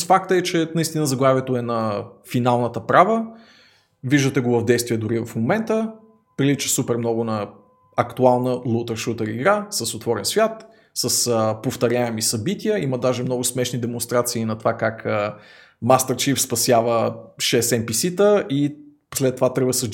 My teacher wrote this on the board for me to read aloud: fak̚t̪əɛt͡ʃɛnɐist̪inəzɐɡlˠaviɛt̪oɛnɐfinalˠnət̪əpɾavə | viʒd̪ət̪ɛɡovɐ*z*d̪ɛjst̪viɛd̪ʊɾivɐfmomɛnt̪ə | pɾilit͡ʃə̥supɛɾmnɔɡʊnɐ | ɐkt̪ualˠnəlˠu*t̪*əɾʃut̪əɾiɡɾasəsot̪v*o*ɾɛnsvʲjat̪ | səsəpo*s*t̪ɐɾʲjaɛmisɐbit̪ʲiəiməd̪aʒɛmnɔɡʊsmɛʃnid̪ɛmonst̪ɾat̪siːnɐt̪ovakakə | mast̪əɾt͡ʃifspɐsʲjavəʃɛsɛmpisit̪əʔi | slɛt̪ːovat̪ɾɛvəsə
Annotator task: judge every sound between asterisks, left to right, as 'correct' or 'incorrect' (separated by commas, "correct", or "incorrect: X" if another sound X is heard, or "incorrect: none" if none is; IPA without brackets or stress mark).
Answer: incorrect: v, correct, incorrect: ɔ, incorrect: f